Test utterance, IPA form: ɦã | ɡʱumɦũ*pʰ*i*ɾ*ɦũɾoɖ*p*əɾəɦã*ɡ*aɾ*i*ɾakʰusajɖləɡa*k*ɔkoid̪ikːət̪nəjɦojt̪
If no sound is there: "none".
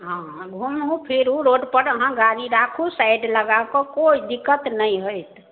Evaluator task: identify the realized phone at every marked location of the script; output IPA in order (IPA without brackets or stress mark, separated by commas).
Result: pʰ, ɾ, p, ɡ, i, k